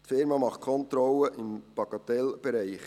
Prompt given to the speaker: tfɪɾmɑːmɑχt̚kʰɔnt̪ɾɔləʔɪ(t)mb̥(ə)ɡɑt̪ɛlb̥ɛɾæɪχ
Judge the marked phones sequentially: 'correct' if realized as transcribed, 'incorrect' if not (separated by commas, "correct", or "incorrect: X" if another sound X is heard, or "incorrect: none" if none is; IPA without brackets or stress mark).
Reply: incorrect: none, incorrect: ɑ